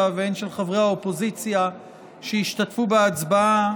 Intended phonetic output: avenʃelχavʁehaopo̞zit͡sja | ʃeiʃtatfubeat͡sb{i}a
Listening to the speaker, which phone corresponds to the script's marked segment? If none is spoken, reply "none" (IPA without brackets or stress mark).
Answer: a